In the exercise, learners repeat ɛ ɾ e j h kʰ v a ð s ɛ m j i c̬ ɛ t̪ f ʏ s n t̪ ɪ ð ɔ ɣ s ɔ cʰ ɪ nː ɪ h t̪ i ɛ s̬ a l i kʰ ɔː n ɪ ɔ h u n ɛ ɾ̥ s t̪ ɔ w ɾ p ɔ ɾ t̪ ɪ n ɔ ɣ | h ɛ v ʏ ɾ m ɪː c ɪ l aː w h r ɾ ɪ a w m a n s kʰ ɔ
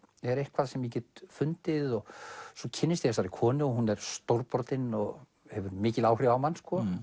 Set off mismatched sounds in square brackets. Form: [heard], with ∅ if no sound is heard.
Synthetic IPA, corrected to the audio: ɛ ɾ e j h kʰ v a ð s ɛ m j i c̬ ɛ t̪ f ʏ [∅] n t̪ ɪ ð ɔ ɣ s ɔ cʰ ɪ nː ɪ [s] t̪ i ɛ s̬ a [ɾ] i kʰ ɔː n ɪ ɔ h u n ɛ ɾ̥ s t̪ [o] w ɾ p ɔ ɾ t̪ ɪ n ɔ ɣ | h ɛ v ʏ ɾ m ɪː c ɪ l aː w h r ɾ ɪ a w m a n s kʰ ɔ